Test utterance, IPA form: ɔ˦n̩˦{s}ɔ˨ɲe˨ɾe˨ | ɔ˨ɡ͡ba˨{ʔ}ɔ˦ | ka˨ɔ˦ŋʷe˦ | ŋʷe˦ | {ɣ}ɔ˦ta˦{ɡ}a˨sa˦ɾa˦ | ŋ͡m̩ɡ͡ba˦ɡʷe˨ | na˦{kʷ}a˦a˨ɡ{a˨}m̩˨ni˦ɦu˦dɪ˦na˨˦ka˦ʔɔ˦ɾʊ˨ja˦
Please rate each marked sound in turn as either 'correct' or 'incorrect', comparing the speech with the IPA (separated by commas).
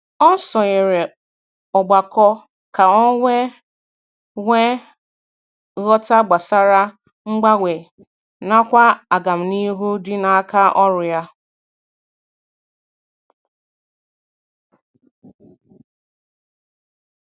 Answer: correct, incorrect, correct, incorrect, correct, correct